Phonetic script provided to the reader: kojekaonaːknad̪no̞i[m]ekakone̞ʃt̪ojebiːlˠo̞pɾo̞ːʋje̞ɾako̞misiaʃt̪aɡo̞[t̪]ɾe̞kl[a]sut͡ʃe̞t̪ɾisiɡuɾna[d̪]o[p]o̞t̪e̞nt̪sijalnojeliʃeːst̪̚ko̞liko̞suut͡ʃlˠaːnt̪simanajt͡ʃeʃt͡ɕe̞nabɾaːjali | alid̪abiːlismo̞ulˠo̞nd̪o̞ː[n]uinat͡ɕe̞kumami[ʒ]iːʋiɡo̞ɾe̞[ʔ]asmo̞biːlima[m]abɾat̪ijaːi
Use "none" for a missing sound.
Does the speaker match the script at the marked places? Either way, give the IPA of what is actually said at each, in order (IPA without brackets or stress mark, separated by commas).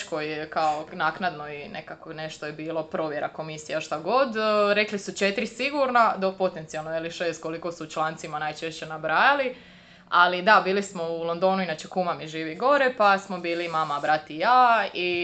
n, d̪, i, d̪, p, n, ʒ, p, m